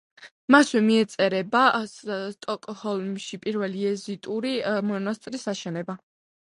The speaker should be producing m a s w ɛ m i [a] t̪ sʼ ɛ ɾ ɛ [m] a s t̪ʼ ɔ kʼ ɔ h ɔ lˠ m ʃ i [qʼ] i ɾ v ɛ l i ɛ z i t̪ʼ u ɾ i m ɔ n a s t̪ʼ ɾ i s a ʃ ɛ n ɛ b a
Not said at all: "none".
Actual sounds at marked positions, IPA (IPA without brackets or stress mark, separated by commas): ɛ, b, pʼ